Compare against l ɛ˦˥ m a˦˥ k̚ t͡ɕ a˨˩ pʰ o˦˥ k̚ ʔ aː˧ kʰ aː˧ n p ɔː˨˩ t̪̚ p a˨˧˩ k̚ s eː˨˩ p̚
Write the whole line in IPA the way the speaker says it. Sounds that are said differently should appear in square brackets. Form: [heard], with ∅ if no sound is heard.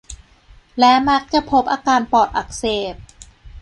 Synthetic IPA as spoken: l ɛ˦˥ m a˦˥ k̚ t͡ɕ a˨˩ pʰ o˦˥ [p̚] ʔ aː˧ [k] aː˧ n p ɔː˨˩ t̪̚ [ʔ] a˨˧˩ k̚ s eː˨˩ p̚